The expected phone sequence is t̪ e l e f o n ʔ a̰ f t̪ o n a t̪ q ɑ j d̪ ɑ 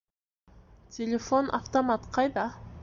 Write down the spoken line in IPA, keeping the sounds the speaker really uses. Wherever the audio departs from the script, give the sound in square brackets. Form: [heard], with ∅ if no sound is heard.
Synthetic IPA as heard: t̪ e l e f o n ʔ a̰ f t̪ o [m] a t̪ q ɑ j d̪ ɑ